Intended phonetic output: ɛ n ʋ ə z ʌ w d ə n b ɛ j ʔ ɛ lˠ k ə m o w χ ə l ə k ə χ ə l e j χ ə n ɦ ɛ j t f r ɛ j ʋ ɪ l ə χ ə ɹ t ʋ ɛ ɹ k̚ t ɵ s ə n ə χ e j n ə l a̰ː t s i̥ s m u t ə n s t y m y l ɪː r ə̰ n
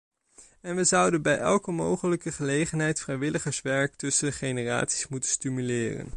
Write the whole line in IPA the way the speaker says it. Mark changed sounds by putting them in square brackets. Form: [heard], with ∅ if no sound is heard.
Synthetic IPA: ɛ n ʋ ə z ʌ w d ə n b ɛ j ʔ ɛ lˠ k ə m o w χ ə l ə k ə χ ə l e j χ ə n ɦ ɛ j t f r ɛ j ʋ ɪ l ə χ ə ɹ [s] ʋ ɛ ɹ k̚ t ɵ s ə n ə χ e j n ə [r] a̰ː t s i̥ s m u t ə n s t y m y l ɪː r ə̰ n